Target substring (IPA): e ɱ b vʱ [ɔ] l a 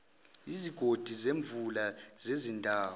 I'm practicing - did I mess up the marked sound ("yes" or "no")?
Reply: yes